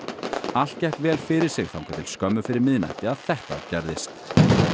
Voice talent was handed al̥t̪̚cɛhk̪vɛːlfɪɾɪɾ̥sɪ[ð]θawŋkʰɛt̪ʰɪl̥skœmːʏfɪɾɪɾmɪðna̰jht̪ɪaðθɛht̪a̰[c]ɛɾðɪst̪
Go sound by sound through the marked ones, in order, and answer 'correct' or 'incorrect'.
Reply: incorrect, correct

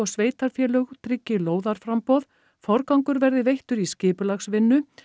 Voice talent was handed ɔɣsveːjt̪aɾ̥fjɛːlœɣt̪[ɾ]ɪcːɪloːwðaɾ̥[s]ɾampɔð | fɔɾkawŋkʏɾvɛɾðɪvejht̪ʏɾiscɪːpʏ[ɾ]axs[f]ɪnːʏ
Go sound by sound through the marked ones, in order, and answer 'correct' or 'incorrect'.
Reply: correct, incorrect, incorrect, incorrect

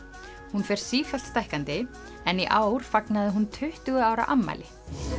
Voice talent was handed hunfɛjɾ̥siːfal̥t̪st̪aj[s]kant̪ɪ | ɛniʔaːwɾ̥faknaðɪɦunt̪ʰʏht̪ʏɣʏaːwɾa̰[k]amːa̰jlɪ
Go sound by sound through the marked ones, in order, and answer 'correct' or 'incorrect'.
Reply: incorrect, incorrect

